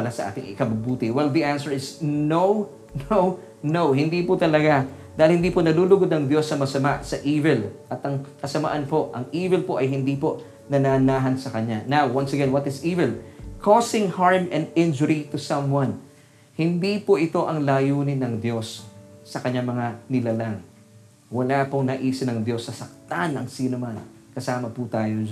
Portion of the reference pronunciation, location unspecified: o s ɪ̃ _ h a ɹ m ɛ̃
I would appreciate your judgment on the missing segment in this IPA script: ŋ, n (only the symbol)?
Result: ŋ